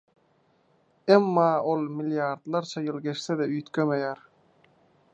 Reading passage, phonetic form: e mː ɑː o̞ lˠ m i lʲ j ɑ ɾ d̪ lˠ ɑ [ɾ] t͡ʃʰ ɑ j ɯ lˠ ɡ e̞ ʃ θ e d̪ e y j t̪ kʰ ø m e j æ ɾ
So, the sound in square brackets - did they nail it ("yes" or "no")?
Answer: yes